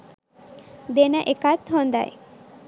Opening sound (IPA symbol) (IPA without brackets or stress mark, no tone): d̪